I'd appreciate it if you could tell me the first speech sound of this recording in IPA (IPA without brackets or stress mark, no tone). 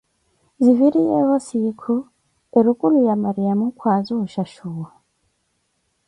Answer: z